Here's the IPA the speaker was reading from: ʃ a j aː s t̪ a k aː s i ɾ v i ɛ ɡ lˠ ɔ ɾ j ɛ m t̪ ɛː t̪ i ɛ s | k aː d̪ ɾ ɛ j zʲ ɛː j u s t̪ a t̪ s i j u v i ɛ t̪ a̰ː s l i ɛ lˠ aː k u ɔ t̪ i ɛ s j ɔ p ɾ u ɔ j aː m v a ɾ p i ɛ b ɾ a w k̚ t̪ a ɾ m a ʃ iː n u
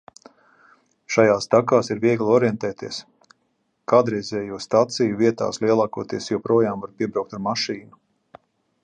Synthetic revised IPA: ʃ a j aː s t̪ a k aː s i ɾ v i ɛ ɡ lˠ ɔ ɾ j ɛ n t̪ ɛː t̪ i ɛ s | k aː d̪ ɾ ɛ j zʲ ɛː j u s t̪ a t̪ s i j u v i ɛ t̪ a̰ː s l i ɛ lˠ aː k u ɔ t̪ i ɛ s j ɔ p ɾ u ɔ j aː m v a ɾ p i ɛ b ɾ a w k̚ t̪ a ɾ m a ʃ iː n u

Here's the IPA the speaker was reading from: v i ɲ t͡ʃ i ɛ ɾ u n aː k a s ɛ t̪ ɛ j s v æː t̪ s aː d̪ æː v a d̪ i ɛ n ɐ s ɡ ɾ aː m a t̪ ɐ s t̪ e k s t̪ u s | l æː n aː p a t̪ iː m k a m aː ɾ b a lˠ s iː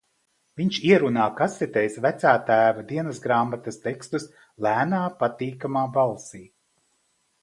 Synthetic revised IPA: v i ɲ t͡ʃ i ɛ ɾ u n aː k a s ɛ t̪ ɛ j s v æ t̪ s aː t̪ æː v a d̪ i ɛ n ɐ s ɡ ɾ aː m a t̪ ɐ s t̪ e k s t̪ u s | l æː n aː p a t̪ iː k a m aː b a lˠ s iː

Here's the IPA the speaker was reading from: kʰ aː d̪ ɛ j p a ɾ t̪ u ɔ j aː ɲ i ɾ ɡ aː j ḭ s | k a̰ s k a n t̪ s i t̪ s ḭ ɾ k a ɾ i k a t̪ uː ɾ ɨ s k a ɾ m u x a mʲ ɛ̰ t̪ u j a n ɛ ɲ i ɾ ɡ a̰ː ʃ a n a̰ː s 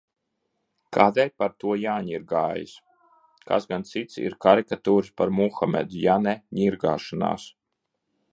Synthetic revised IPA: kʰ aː d̪ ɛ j p a ɾ t̪ u ɔ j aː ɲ i ɾ ɡ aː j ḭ s | k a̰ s ɡ a n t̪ s i t̪ s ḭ ɾ k a ɾ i k a t̪ uː ɾ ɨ s p a ɾ m u x a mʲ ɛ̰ d̪ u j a n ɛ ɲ i ɾ ɡ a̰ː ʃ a n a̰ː s

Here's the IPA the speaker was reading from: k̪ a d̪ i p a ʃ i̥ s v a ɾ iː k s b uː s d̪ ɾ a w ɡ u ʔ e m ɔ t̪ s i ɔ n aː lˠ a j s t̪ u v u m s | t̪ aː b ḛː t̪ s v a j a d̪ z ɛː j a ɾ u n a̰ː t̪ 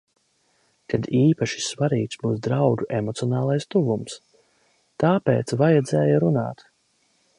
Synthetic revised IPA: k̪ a d̪ iː p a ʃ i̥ s v a ɾ iː k s b uː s d̪ ɾ a w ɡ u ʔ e m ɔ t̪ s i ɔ n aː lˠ a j s t̪ u v u m s | t̪ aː p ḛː t̪ s v a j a d̪ z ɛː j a ɾ u n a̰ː t̪

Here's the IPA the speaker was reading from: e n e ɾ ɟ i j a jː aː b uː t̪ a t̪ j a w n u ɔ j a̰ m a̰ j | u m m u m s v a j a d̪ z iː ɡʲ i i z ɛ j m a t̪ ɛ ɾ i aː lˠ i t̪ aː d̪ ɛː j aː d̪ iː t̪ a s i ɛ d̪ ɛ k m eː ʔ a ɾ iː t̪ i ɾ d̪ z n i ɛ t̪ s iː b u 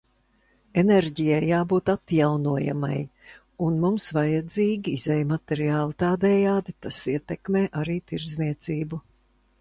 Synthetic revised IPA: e n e ɾ ɟ i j a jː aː b uː t̪ a t̪ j a w n u ɔ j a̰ m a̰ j | u n m u m s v a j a d̪ z iː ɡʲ i i z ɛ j m a t̪ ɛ ɾ i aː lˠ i t̪ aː d̪ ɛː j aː d̪ i t̪ a s i ɛ t̪ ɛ k m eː ʔ a ɾ iː t̪ i ɾ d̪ z n i ɛ t̪ s iː b u

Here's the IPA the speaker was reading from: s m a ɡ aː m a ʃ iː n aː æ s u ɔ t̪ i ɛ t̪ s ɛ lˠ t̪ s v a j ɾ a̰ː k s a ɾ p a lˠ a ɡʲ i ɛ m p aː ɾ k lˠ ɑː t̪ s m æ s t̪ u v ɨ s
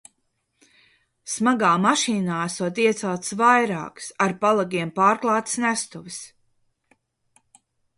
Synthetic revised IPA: s m a ɡ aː m a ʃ iː n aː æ s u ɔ t̪ i ɛ t̪ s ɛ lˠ t̪ s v a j ɾ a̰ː k s a ɾ p a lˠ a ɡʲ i ɛ m p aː ɾ k lˠ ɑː t̪ s n æ s t̪ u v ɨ s

